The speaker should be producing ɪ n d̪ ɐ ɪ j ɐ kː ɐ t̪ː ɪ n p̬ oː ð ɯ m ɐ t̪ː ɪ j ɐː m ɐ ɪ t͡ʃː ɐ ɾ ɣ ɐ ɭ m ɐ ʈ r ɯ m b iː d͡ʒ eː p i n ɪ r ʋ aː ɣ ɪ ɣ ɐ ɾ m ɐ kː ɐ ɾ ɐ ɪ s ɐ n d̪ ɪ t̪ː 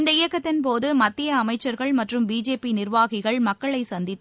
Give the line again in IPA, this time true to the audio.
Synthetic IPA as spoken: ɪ n d̪ ɐ ɪ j ɐ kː ɐ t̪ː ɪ n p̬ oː ð ɯ m ɐ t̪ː ɪ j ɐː m ɐ ɪ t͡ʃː ɐ ɾ ɣ ɐ ɭ m ɐ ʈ r ɯ m b iː d͡ʒ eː p i n ɪ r ʋ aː ɣ ɪ ɣ ɐ ɭ m ɐ kː ɐ ɭ ɐ ɪ s ɐ n d̪ ɪ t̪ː